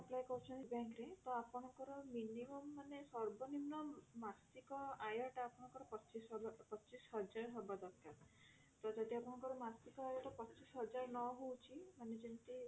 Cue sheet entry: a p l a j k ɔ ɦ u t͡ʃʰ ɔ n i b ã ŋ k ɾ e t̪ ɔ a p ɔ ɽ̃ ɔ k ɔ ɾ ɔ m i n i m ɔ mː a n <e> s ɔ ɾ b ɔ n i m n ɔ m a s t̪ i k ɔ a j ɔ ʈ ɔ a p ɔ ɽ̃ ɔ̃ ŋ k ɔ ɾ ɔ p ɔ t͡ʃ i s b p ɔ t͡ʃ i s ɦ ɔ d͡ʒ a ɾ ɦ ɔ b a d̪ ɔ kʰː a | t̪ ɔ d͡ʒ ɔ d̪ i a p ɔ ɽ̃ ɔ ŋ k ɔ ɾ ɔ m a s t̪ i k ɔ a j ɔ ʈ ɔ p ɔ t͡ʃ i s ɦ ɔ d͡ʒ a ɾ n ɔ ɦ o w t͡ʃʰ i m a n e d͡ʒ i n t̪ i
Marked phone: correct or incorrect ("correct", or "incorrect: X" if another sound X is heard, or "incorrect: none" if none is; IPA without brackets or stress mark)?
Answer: correct